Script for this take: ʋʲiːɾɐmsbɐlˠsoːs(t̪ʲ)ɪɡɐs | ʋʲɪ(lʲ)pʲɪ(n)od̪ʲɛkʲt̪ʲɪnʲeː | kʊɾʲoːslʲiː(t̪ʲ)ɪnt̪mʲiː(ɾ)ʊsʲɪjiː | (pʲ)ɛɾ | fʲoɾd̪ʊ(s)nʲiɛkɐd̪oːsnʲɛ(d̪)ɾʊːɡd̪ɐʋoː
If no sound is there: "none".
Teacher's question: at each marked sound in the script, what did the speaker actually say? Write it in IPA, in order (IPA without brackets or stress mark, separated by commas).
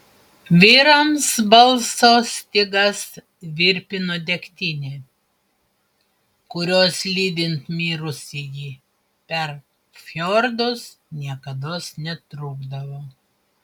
t̪ʲ, ɾʲ, n, d̪ʲ, ɾ, pʲ, s, t̪